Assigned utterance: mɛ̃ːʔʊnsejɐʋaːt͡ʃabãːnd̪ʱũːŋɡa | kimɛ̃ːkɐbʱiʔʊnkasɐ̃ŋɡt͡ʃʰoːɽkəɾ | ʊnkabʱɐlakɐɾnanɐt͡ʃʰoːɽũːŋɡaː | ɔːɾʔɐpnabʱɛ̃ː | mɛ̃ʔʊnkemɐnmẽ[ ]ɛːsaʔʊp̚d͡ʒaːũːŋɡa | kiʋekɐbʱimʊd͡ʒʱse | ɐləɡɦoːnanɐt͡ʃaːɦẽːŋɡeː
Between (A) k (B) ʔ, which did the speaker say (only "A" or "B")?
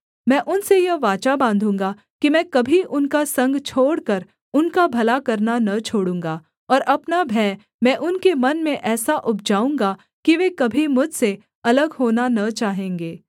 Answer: B